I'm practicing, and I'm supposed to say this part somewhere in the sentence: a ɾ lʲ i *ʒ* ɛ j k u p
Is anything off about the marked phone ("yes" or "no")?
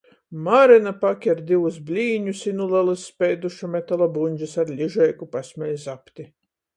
no